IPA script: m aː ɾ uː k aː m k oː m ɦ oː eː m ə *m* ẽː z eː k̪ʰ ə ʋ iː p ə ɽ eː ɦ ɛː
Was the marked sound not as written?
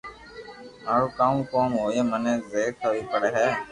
yes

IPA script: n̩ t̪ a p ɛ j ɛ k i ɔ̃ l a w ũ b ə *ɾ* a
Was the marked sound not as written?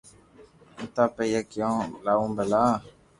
yes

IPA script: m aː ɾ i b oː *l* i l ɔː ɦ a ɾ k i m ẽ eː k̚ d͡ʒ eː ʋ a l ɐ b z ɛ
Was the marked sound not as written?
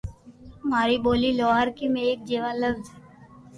no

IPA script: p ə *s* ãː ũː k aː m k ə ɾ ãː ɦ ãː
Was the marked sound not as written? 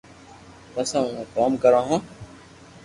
no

